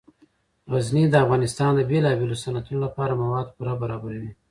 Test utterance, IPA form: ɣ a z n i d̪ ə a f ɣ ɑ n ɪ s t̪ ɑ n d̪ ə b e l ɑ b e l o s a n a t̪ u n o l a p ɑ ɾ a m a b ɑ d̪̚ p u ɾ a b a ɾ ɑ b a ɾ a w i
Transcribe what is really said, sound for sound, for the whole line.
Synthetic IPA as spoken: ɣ a z n i d̪ ə a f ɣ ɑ n ɪ s t̪ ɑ n d̪ ə b e l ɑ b e l o s a n a t̪ u n o l a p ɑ ɾ a m a w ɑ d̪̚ p u ɾ a b a ɾ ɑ b a ɾ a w i